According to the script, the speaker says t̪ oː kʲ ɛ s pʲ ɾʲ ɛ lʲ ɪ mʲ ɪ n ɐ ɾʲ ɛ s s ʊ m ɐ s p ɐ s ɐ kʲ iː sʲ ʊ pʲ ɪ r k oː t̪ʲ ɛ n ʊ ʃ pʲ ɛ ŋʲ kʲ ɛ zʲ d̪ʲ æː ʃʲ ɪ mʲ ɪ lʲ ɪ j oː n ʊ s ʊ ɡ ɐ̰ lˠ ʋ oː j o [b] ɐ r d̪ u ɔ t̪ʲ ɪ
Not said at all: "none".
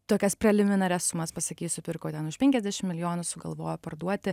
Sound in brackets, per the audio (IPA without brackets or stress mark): p